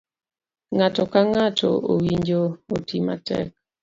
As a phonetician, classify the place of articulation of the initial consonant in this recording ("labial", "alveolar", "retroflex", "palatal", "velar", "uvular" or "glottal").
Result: velar